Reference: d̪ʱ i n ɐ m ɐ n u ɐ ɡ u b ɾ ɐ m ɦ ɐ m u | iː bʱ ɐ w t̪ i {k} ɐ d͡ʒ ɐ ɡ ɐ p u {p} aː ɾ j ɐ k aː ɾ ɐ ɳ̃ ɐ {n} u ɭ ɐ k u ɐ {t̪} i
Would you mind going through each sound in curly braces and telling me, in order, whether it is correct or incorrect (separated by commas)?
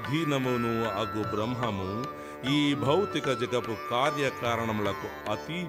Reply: correct, incorrect, incorrect, correct